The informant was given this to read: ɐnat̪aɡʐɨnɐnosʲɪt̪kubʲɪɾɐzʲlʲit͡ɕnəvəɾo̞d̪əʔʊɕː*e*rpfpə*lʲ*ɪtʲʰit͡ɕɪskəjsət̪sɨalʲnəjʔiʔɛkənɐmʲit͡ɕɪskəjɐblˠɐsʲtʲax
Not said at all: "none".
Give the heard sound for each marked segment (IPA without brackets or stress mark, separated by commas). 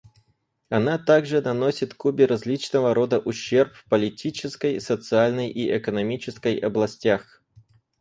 e, lʲ